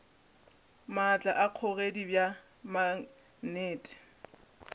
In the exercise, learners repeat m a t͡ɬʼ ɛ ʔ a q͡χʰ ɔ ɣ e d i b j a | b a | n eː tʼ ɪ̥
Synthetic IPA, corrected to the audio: m a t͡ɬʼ a ʔ a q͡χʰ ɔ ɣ e d i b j a | m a | n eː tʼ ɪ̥